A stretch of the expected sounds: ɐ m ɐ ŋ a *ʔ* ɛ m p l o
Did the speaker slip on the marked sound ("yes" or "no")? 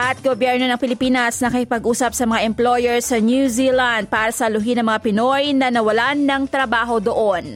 no